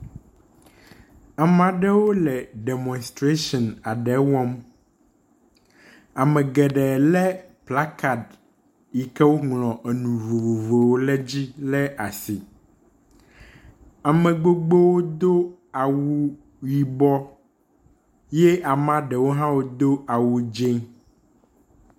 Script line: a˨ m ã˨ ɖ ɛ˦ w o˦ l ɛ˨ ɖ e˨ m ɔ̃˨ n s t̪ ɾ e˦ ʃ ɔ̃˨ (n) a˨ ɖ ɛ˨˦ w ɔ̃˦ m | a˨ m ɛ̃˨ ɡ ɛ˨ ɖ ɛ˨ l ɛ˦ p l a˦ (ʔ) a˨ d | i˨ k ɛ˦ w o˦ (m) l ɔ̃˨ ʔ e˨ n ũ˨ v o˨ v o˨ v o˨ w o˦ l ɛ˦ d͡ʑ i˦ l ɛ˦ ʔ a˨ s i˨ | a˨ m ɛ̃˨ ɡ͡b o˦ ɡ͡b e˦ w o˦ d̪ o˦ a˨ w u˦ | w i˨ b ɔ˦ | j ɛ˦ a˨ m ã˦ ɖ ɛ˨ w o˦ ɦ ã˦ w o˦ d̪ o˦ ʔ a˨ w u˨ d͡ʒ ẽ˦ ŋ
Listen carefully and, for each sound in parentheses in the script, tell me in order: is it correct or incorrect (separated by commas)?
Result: correct, incorrect, incorrect